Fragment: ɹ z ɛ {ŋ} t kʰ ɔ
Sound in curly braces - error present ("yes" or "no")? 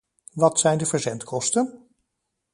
yes